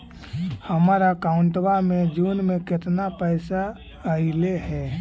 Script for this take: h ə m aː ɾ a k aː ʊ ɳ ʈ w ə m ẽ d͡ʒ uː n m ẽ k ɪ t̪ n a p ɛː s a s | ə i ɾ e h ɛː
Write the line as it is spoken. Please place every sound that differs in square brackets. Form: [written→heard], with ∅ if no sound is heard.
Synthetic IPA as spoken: h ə m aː ɾ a k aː ʊ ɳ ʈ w [ə→a] m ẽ d͡ʒ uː n m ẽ k ɪ t̪ n a p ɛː s a [s→∅] | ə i [ɾ→l] e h ɛː